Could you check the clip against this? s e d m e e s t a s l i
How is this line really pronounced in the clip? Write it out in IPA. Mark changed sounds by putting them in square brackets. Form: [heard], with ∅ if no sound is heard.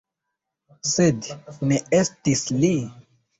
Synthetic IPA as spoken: s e d [n] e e s t [i] s l i